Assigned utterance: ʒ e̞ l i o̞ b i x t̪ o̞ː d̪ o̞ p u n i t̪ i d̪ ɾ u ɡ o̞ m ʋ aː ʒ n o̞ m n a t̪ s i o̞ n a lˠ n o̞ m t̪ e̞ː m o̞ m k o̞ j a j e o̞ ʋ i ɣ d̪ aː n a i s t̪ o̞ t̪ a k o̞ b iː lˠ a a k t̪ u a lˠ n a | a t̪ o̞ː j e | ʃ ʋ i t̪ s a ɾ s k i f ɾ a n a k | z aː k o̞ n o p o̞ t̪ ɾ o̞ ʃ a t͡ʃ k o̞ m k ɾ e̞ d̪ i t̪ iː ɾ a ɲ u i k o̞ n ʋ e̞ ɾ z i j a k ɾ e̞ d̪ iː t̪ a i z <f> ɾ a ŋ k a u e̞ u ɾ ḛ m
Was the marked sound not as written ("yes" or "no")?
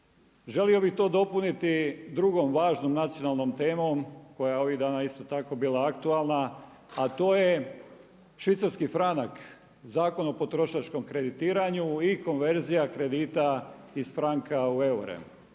no